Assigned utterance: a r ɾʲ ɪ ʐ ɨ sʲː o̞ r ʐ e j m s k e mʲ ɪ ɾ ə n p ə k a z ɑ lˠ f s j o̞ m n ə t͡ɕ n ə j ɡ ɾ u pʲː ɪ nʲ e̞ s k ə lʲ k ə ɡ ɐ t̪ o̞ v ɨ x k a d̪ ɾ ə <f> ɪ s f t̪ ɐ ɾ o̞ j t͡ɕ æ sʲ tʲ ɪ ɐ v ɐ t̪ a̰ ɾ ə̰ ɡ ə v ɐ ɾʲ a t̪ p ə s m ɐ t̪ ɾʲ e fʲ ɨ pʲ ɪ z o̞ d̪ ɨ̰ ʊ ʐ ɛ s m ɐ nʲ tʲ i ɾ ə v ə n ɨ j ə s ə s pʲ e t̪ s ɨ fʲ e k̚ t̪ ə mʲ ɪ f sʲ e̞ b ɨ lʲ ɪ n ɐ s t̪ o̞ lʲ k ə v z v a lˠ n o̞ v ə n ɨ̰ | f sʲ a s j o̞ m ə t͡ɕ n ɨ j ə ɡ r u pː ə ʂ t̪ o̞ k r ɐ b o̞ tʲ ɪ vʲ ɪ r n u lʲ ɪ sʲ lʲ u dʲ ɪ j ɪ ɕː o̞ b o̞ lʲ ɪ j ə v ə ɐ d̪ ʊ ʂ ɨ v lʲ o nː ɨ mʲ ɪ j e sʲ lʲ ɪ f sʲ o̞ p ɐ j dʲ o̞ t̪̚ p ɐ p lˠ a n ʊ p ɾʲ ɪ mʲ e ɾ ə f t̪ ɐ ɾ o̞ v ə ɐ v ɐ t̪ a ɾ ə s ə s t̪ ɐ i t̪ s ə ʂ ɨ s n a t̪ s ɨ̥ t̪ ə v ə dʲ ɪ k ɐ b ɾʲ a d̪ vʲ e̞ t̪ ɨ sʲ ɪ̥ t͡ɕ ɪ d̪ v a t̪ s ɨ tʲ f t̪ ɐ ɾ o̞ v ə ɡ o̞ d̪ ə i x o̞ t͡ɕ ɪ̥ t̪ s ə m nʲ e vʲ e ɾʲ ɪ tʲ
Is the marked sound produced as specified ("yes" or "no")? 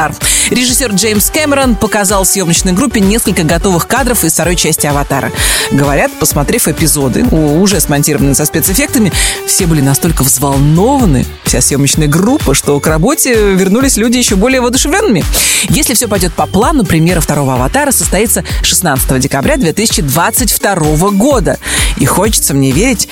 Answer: yes